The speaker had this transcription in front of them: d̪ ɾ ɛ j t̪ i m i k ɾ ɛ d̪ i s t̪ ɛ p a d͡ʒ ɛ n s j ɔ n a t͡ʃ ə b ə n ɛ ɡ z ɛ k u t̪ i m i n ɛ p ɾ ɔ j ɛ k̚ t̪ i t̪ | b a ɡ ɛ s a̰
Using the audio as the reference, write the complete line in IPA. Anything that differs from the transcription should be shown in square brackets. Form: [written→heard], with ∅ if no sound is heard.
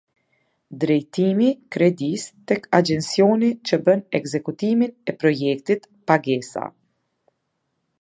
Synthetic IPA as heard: d̪ ɾ ɛ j t̪ i m i k ɾ ɛ d̪ i s t̪ ɛ [p→k] a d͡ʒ ɛ n s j ɔ n [a→i] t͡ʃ ə b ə n ɛ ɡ z ɛ k u t̪ i m i n ɛ p ɾ ɔ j ɛ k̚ t̪ i t̪ | [b→p] a ɡ ɛ s a̰